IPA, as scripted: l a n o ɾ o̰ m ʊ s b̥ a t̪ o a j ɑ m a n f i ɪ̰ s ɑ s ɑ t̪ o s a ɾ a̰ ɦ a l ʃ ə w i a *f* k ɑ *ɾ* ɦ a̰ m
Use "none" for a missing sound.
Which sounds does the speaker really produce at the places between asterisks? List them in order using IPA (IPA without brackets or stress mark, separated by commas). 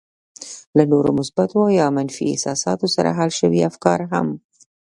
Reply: f, ɾ